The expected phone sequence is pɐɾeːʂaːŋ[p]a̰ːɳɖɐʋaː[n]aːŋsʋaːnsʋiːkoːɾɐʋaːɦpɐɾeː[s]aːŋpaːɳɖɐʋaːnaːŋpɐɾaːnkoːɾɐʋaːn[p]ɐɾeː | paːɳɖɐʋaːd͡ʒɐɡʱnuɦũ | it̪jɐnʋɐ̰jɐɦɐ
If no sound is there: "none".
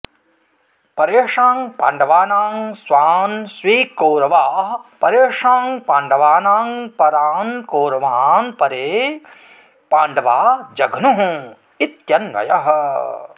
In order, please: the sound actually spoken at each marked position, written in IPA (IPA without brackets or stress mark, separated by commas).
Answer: p, n, ʂ, p